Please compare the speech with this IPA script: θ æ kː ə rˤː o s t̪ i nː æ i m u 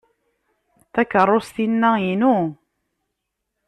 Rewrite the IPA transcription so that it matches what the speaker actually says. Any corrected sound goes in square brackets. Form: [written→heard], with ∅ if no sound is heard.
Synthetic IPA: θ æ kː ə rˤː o s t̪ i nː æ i [m→n] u